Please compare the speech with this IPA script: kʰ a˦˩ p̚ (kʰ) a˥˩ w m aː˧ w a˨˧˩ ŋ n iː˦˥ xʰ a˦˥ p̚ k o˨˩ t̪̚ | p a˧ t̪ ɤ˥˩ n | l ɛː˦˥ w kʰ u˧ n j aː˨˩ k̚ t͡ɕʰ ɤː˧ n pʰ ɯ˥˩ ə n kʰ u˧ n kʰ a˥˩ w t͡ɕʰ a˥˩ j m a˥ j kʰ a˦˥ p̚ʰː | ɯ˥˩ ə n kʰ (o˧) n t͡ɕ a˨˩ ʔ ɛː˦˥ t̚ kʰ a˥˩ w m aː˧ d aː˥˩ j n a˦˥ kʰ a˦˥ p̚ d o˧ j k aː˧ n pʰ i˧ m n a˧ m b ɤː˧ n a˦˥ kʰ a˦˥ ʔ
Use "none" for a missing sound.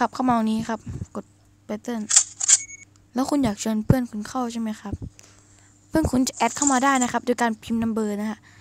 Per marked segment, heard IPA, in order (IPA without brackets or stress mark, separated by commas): kʰ, u˧